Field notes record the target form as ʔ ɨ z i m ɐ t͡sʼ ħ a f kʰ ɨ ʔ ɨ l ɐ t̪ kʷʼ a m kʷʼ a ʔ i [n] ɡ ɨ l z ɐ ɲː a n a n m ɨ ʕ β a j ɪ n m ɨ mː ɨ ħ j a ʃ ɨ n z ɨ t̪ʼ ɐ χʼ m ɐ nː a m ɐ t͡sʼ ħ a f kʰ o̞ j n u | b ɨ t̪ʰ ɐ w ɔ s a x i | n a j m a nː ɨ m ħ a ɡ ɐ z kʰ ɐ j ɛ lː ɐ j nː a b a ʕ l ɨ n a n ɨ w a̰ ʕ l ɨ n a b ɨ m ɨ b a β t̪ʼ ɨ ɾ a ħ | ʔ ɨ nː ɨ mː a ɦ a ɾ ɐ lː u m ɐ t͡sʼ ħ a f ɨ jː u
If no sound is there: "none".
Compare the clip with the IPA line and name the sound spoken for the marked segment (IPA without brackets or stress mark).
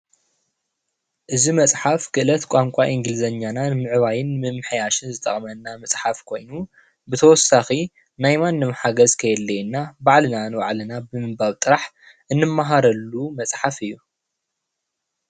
ŋ